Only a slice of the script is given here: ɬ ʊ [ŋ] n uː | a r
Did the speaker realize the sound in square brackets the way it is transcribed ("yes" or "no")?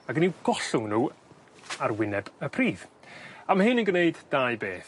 yes